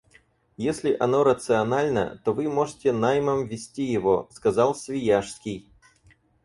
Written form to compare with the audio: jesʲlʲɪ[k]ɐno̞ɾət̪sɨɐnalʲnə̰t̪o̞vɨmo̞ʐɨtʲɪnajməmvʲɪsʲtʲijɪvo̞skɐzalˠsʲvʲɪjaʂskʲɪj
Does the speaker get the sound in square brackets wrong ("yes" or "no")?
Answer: yes